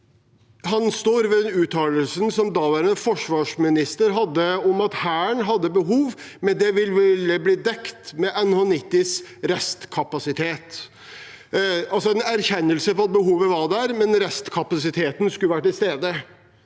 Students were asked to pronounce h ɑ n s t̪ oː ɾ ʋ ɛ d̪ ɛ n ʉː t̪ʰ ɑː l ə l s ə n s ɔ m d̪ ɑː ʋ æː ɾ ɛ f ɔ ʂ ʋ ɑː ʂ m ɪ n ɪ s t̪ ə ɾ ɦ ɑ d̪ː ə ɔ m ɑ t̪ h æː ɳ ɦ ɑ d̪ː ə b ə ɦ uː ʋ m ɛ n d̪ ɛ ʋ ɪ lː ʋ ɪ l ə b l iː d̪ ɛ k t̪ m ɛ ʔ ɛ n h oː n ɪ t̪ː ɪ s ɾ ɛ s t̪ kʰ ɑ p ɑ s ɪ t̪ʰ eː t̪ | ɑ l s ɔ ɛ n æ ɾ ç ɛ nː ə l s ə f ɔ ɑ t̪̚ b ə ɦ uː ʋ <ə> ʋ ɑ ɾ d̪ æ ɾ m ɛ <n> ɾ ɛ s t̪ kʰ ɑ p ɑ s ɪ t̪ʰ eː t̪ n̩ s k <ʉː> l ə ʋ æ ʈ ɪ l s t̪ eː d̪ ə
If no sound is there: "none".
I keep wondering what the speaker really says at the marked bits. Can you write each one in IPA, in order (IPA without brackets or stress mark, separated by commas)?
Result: ə, n, ʉ